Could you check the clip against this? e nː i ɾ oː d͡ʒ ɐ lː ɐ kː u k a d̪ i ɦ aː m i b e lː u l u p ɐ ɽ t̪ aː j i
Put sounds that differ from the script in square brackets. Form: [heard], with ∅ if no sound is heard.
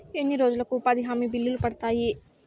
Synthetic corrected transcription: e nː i ɾ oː d͡ʒ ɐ [l] ɐ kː u [p] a d̪ i ɦ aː m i b [i] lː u l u p ɐ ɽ t̪ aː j i